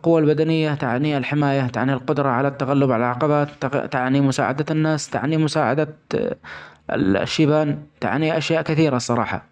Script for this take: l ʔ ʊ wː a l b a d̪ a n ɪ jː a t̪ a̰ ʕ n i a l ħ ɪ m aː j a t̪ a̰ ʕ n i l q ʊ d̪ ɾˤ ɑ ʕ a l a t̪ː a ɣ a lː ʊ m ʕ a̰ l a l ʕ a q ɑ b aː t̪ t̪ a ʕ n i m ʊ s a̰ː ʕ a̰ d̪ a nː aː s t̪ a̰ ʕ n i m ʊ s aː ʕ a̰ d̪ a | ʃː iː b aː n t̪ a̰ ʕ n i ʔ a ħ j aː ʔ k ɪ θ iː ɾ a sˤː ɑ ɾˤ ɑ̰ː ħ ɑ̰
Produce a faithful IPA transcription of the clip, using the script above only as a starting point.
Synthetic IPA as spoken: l q ʊ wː a l b a d̪ a n ɪ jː a t̪ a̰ ʕ n i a l ħ ɪ m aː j a t̪ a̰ ʕ n i l q ʊ d̪ ɾˤ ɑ ʕ a l a t̪ː a ɣ a lː ʊ b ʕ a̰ l a l ʕ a q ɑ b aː t̪ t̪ a ʕ n i m ʊ s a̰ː ʕ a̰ d̪ a nː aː s t̪ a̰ ʕ n i m ʊ s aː ʕ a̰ d̪ a | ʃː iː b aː n t̪ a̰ ʕ n i ʔ a ʃ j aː ʔ k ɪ θ iː ɾ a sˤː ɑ ɾˤ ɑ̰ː ħ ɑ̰